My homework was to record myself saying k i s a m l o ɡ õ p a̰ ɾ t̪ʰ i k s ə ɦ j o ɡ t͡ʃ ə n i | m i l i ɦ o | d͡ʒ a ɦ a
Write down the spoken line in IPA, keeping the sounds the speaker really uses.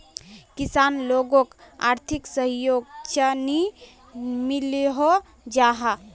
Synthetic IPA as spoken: k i s a n l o ɡ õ k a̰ ɾ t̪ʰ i k s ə ɦ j o ɡ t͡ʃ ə n i | m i l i ɦ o | d͡ʒ a ɦ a